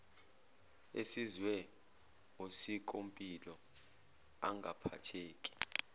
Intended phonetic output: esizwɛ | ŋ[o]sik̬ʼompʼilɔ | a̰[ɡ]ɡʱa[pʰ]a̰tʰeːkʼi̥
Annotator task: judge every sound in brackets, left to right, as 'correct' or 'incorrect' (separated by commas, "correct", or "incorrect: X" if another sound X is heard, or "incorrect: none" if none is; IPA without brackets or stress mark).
correct, incorrect: ŋ, correct